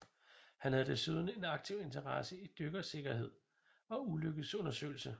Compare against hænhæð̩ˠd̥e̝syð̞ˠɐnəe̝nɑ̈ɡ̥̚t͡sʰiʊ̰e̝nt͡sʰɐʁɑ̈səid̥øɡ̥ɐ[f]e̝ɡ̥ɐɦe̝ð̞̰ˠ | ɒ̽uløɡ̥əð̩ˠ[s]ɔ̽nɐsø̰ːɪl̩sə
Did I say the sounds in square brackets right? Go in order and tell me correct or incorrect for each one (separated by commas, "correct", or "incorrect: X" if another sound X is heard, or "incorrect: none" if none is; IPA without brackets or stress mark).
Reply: incorrect: s, correct